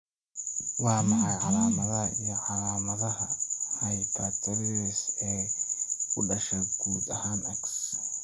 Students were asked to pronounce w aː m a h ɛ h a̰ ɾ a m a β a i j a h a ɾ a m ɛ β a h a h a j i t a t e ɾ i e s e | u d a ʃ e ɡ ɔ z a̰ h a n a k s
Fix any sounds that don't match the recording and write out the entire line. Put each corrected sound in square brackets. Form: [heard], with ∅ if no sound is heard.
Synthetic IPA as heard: w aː m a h [a] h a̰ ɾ a m a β a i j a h a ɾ a m [a] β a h a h a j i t a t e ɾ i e s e | u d a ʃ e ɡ [u] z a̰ h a n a k s